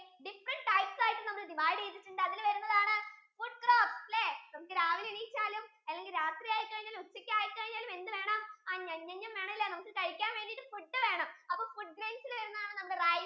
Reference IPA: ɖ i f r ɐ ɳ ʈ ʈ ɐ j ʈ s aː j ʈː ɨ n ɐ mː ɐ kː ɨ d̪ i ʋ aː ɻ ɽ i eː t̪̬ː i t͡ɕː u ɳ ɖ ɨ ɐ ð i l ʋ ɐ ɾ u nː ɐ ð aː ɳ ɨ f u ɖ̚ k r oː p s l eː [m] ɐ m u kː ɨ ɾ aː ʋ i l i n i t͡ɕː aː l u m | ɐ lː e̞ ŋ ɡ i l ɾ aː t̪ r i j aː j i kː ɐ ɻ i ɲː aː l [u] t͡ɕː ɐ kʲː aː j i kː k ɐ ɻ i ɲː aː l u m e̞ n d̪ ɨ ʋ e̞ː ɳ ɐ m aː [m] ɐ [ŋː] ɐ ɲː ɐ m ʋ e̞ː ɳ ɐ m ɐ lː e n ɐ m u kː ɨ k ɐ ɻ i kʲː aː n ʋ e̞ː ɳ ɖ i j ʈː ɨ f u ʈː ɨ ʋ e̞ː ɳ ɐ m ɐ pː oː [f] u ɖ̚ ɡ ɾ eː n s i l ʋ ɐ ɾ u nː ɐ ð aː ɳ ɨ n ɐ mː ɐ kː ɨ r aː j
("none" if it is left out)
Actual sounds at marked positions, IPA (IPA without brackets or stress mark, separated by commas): n, u, ɲ, ɲː, f